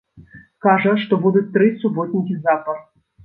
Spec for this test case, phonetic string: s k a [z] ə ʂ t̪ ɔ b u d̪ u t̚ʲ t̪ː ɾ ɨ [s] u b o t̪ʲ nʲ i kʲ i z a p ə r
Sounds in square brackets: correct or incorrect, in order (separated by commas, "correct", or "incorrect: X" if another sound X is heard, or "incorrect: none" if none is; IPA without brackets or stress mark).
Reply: incorrect: ʐ, correct